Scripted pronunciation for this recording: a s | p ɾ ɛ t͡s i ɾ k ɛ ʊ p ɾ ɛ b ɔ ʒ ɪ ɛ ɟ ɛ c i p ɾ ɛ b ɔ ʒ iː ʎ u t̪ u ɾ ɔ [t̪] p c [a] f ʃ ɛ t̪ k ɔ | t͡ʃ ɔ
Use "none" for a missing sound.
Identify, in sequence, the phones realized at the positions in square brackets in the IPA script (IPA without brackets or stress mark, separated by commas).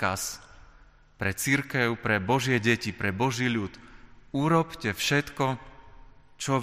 none, ɛ